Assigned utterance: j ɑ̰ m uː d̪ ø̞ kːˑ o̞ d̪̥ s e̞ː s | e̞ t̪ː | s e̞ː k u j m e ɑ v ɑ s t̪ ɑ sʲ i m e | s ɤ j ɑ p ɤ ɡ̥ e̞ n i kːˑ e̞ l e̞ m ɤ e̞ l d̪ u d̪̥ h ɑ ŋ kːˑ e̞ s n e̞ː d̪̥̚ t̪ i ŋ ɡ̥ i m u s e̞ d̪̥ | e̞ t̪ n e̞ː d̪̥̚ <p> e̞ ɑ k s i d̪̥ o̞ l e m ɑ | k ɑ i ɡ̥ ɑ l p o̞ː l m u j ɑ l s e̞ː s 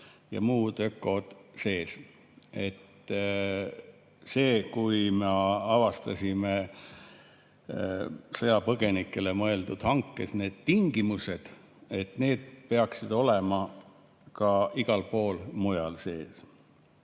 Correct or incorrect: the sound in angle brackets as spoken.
correct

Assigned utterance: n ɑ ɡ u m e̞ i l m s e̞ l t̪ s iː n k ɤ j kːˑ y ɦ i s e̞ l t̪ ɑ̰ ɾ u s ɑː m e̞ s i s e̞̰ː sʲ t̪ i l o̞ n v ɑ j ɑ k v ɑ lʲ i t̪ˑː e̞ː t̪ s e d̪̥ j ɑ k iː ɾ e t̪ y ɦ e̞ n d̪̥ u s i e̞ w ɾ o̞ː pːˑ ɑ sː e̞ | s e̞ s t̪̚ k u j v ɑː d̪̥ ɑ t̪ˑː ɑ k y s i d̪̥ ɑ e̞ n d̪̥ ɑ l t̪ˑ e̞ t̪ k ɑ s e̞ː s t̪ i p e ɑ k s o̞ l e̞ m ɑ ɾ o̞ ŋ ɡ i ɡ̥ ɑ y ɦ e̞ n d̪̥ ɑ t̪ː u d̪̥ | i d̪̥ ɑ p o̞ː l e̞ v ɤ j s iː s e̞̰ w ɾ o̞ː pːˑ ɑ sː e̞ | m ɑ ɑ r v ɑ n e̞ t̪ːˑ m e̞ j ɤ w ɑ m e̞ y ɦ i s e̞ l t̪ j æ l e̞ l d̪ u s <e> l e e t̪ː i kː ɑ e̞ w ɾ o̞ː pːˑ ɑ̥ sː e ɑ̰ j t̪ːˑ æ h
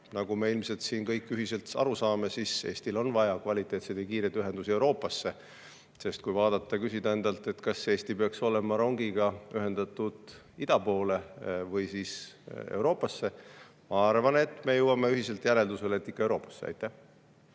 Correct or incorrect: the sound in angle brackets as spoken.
correct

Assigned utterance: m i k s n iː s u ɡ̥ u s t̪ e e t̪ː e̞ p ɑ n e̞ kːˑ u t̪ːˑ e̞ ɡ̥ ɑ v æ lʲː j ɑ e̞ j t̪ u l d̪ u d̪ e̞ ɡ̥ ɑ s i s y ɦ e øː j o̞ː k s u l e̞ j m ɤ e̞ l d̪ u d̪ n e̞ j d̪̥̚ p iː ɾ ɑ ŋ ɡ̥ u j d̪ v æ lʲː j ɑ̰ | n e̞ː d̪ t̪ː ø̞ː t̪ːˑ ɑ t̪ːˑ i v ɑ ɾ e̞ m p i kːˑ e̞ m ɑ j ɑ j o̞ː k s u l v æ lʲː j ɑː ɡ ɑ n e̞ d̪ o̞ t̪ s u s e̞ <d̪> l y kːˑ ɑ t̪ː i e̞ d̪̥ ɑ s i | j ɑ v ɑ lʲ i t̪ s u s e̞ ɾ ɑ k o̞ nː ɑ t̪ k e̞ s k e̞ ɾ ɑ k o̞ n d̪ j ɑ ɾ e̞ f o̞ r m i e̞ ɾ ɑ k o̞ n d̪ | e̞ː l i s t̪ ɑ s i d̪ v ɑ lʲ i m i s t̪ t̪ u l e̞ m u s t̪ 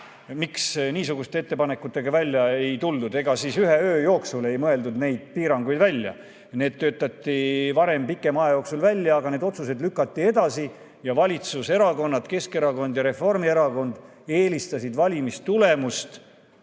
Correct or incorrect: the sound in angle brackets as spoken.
correct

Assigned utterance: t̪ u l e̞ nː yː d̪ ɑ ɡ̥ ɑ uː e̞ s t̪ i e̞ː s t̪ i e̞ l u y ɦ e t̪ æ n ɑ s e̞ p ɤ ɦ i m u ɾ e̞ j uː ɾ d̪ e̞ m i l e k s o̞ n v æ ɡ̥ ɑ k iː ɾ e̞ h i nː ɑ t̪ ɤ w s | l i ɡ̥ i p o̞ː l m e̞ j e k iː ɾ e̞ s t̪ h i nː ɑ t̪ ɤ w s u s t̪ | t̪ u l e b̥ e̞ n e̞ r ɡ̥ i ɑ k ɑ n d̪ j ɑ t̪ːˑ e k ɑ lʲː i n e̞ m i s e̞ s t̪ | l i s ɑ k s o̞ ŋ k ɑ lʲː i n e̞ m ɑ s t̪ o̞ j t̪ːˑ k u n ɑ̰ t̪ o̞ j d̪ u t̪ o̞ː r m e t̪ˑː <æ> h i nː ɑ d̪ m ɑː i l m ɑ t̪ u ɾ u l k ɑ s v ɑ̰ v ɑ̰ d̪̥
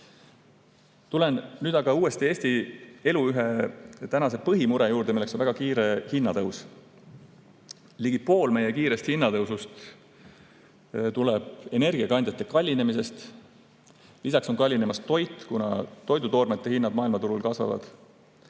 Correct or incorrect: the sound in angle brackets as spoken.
incorrect: e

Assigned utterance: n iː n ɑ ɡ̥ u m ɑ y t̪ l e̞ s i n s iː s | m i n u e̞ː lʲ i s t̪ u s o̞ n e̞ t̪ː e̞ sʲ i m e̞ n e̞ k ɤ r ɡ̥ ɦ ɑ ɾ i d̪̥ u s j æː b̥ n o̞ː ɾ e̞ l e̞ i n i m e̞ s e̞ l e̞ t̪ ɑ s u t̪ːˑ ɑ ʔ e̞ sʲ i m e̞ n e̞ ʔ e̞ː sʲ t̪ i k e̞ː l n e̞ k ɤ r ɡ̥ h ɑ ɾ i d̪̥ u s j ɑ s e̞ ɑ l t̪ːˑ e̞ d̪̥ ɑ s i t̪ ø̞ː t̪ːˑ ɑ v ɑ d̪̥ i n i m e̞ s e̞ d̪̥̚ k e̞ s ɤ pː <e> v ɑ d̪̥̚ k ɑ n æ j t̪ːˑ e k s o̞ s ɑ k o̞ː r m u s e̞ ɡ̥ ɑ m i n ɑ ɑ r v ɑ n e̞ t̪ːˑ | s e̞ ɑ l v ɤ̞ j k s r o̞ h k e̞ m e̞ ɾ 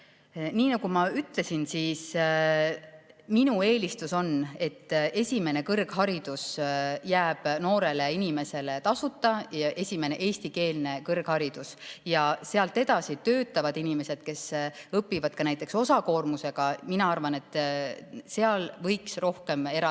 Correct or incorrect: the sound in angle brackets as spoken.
incorrect: i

